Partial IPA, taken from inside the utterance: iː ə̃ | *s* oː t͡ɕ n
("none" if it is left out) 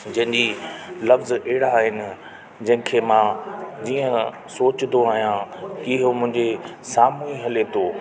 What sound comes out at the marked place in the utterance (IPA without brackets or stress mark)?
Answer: s